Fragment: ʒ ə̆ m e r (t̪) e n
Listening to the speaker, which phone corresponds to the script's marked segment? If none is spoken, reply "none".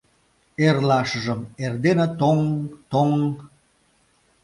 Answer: d̪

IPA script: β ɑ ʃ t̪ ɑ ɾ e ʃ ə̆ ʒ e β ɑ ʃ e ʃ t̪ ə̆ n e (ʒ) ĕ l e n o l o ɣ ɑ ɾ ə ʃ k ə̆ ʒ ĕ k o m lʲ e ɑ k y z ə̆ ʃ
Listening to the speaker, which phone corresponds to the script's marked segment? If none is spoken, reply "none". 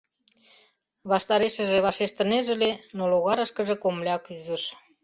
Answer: ʒ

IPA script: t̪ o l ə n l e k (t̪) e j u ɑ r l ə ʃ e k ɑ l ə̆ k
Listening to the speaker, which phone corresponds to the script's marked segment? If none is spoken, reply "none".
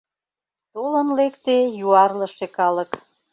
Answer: t̪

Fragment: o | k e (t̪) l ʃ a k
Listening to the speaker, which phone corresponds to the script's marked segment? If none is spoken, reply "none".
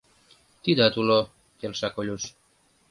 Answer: none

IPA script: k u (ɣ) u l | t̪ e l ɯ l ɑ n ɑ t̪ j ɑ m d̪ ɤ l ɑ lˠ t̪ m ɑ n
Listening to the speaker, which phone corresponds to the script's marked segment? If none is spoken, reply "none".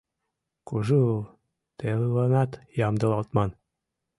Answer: ʒ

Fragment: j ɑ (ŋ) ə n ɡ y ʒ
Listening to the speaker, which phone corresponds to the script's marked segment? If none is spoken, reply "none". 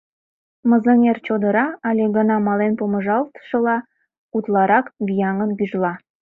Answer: ŋ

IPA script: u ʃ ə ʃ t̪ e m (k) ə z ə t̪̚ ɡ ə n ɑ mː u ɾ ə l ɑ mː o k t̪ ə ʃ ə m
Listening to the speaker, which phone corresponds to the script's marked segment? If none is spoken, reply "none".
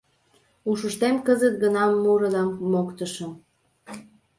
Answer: k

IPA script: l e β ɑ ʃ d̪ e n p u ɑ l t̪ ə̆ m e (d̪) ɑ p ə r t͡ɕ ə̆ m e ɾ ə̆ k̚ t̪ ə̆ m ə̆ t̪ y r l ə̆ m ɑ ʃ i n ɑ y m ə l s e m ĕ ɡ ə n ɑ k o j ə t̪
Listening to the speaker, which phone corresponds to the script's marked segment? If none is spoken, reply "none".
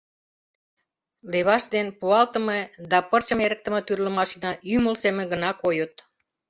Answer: d̪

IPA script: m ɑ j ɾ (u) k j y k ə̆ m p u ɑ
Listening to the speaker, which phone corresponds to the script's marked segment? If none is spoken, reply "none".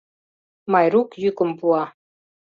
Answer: u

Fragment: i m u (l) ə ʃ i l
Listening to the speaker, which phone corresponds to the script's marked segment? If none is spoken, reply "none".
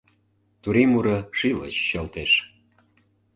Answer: ɾ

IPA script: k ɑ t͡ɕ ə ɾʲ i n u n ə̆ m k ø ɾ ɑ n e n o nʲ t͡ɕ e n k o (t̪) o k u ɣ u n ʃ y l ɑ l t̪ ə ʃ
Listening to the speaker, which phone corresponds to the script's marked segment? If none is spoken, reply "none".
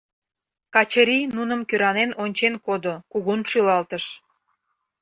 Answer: d̪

